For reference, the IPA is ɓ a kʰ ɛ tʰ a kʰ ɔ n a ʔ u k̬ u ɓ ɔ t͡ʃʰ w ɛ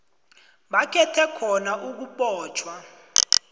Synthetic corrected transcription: ɓ a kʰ ɛ tʰ ɛ kʰ ɔ n a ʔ u k̬ u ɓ ɔː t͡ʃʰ w a